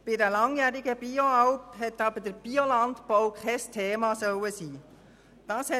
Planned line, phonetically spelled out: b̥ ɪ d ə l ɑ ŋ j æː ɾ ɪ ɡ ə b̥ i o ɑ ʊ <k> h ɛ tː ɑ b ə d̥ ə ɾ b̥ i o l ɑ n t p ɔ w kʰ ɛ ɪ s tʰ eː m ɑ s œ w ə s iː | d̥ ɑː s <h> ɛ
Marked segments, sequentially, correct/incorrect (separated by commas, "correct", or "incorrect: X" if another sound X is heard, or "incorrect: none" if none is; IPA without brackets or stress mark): incorrect: p, correct